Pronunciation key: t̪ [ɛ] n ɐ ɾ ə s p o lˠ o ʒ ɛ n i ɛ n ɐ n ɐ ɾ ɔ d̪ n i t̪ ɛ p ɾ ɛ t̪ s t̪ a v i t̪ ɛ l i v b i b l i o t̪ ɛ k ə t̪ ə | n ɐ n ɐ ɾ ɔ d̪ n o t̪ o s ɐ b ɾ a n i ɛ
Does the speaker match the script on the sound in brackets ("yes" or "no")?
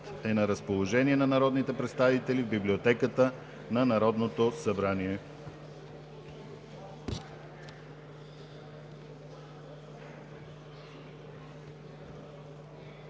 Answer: yes